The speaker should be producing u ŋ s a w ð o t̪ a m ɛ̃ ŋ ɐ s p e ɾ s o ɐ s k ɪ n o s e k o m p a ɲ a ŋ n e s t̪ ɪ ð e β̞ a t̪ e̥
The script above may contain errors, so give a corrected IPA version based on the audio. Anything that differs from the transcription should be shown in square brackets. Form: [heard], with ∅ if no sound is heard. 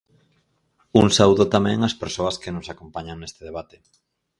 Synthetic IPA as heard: u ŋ s a w ð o t̪ a m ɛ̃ ŋ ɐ s p e ɾ s o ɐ s k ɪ n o s [a] k o m p a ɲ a ŋ n e s t̪ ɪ ð e β̞ a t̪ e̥

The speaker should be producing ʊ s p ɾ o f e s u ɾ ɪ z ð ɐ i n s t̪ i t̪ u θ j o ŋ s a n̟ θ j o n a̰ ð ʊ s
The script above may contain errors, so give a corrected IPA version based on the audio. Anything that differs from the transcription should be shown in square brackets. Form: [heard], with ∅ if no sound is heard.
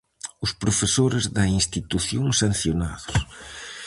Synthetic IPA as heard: ʊ s p ɾ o f e s [o] ɾ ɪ z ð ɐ i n s t̪ i t̪ u θ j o ŋ s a n̟ θ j o n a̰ ð ʊ s

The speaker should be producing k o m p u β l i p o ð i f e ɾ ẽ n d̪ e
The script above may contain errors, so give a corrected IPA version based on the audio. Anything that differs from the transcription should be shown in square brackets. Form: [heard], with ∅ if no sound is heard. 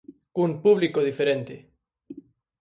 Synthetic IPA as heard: k [u] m p u β l i [k] o ð i f e ɾ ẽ n [t̪] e

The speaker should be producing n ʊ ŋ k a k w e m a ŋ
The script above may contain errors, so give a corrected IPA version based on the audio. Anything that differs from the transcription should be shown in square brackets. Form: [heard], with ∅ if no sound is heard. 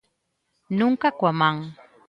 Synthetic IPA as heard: n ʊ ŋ k a k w [a] m a ŋ

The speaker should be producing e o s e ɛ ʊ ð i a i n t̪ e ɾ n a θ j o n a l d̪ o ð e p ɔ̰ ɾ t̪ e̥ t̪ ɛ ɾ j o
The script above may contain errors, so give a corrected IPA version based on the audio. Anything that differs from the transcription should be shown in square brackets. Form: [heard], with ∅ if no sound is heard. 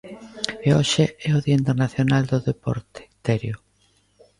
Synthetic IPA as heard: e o [ʃ] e ɛ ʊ ð i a i n t̪ e ɾ n a θ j o n a l d̪ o ð e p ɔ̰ ɾ t̪ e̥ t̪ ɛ ɾ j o

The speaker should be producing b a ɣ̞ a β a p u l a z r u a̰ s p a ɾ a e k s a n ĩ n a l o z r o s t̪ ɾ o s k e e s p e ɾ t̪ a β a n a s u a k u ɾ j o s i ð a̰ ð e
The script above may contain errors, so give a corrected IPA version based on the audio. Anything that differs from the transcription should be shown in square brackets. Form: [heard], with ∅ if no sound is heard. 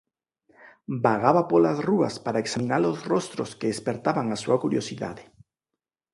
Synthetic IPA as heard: b a ɣ̞ a β a p [o] l a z r u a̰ s p a ɾ a e k s a [m] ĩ n a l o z r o s t̪ ɾ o s k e e s p e ɾ t̪ a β a [ŋ] a s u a k u ɾ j o s i ð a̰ ð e

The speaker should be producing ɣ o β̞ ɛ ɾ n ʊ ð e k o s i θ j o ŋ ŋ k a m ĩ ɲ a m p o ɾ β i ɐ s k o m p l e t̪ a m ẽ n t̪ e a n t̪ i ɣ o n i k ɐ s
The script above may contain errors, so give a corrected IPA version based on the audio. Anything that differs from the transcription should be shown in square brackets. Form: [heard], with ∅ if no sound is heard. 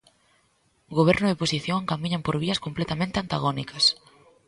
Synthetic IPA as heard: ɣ o β̞ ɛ ɾ n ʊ ð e [p] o s i θ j o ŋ ŋ k a m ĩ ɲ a m p o ɾ β i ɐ s k o m p l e t̪ a m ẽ n t̪ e a n t̪ [a] ɣ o n i k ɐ s

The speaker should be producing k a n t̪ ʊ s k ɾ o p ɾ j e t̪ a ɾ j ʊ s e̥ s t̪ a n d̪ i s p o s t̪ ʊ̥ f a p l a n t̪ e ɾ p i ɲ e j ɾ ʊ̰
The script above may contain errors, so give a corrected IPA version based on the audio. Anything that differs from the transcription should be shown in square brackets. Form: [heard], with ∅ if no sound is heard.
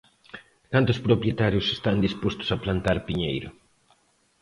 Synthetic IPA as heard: k a n t̪ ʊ s [p] ɾ o p ɾ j e t̪ a ɾ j ʊ s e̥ s t̪ a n d̪ i s p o s t̪ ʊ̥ [s] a p l a n t̪ [a] ɾ p i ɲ e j ɾ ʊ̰

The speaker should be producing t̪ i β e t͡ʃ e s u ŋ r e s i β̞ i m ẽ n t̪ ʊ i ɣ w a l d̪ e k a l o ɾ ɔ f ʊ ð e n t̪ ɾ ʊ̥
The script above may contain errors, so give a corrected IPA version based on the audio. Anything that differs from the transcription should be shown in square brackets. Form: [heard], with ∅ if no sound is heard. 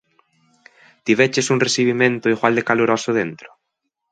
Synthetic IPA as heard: t̪ i β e t͡ʃ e s u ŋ r e s i β̞ i m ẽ n t̪ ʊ i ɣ w a l d̪ e k a l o ɾ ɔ [s] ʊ ð e n t̪ ɾ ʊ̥

